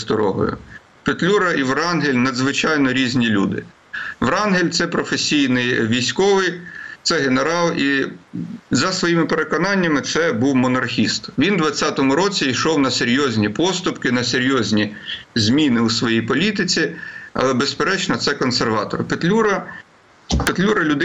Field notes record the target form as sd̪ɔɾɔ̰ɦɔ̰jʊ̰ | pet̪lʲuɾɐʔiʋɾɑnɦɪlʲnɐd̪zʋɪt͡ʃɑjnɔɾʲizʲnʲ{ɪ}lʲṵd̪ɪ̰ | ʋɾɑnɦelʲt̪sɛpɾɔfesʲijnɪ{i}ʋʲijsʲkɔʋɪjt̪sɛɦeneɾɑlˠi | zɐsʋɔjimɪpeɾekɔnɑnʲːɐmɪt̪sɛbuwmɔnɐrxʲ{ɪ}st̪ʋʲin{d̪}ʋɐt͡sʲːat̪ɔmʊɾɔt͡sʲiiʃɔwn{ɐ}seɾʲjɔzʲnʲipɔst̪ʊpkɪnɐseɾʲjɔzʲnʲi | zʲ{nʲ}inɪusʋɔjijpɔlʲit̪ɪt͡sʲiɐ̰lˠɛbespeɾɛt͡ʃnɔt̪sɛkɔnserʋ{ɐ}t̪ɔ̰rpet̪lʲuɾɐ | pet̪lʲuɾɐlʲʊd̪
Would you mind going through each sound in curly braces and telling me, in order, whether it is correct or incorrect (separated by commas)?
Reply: incorrect, incorrect, incorrect, correct, correct, incorrect, incorrect